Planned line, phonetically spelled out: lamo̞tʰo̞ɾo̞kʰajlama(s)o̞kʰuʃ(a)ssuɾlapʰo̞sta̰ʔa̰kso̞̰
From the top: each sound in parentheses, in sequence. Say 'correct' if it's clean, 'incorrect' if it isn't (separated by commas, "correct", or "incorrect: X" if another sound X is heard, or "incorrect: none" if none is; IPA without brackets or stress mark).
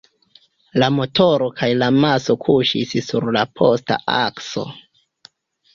correct, incorrect: i